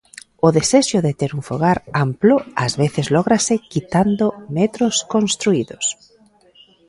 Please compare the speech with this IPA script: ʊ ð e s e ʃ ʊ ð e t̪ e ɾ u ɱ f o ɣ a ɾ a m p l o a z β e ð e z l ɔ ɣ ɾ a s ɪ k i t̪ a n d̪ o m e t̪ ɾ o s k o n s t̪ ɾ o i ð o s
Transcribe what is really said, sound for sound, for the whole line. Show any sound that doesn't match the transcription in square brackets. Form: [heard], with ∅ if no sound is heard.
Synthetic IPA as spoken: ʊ ð e s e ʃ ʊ ð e t̪ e ɾ u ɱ f o ɣ a ɾ a m p l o a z β e [θ] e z l ɔ ɣ ɾ a s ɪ k i t̪ a n d̪ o m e t̪ ɾ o s k o n s t̪ ɾ [u] i ð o s